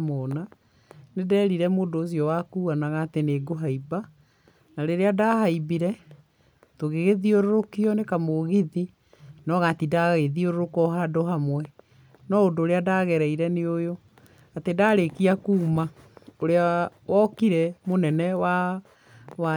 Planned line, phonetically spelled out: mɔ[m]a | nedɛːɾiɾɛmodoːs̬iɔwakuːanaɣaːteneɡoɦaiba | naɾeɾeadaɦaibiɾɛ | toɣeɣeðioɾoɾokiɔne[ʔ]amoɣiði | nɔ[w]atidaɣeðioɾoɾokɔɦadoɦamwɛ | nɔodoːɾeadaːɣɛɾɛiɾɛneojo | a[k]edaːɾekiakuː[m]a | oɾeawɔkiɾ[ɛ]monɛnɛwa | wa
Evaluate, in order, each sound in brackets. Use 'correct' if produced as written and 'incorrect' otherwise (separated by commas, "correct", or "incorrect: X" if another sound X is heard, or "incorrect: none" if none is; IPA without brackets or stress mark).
incorrect: n, incorrect: k, incorrect: ɣ, incorrect: t, correct, correct